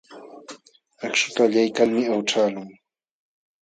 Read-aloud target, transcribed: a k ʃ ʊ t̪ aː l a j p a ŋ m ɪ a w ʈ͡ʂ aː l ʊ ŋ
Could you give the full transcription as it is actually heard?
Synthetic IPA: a k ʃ ʊ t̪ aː ʎ a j k a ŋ m ɪ a w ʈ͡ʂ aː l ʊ ŋ